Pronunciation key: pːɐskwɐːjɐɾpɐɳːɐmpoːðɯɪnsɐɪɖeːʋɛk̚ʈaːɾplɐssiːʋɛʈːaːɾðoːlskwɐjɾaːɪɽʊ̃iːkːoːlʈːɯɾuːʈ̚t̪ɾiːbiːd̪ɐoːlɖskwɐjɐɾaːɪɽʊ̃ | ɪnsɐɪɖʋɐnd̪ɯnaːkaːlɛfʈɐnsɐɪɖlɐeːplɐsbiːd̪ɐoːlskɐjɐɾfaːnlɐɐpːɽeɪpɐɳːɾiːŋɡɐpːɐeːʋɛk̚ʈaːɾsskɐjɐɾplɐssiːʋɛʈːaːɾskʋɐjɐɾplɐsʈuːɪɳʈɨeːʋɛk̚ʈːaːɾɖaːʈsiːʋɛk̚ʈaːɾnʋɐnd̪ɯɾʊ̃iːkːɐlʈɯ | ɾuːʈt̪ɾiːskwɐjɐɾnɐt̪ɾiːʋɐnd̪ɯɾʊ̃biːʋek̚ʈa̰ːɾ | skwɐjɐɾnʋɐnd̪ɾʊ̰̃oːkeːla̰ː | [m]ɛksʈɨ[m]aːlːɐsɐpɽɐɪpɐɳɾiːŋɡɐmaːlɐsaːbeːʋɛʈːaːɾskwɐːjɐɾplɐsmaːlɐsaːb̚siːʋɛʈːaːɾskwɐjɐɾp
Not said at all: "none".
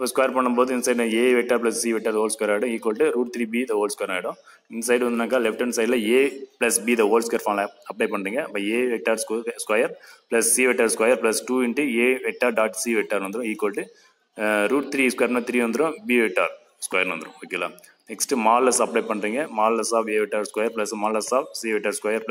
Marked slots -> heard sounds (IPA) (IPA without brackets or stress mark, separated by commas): n, m